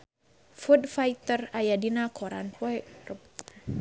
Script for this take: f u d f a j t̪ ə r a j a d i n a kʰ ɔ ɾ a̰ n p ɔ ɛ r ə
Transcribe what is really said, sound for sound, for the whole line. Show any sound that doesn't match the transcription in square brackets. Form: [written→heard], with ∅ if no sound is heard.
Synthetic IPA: f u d f a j t̪ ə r a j a d i n a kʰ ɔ ɾ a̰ n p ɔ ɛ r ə